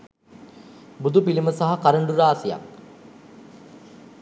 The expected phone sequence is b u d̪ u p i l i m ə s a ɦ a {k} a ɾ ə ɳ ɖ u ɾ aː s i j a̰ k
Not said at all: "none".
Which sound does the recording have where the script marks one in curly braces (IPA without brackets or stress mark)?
k